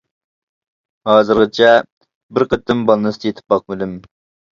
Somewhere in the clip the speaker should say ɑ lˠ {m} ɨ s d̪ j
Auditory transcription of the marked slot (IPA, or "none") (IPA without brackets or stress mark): n